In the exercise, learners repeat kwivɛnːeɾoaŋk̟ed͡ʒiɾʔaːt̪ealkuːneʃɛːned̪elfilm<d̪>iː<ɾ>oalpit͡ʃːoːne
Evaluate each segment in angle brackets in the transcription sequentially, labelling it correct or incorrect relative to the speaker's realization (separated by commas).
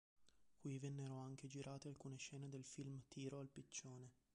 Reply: incorrect, correct